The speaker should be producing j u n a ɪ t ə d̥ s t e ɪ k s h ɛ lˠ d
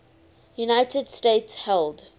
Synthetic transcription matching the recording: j u n a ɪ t ə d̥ s t e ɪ t s h ɛ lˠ d